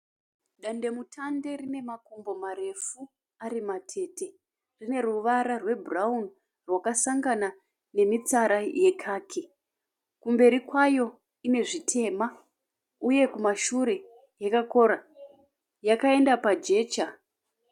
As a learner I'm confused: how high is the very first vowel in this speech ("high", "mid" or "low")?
low